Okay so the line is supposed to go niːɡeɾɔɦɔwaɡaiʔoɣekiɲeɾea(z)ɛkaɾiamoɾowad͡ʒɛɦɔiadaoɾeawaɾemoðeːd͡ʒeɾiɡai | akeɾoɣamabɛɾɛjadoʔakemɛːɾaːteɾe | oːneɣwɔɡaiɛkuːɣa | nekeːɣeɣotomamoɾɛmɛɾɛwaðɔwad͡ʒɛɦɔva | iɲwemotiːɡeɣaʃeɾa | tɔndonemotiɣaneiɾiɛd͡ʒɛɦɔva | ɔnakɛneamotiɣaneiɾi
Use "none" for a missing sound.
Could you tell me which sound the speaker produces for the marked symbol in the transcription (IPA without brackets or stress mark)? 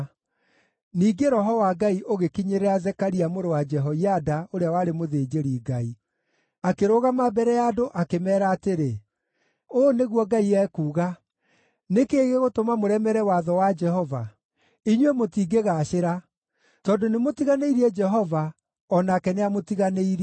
z